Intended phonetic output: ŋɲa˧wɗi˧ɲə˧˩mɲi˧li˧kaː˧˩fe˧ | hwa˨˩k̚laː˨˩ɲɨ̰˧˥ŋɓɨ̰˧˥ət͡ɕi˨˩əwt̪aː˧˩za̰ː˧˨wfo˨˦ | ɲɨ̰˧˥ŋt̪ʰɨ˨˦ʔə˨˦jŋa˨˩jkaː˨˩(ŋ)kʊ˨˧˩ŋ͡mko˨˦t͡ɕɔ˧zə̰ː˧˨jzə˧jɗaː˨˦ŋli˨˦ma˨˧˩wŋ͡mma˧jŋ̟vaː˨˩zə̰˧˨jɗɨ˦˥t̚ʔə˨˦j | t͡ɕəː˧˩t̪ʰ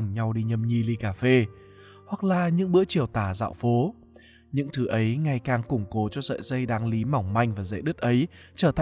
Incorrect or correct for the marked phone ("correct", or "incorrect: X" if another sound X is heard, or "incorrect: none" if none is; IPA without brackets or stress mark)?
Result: correct